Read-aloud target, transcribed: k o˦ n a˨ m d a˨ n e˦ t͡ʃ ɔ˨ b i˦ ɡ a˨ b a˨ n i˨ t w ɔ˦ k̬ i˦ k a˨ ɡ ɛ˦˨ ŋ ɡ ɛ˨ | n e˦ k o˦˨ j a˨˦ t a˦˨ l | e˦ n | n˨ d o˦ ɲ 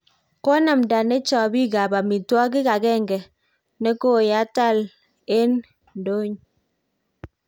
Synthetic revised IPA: k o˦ n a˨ m d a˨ n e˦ t͡ʃ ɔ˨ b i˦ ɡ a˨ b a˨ m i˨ t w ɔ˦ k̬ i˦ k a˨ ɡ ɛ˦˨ ŋ ɡ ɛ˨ | n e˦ k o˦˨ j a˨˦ t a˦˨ l | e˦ n | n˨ d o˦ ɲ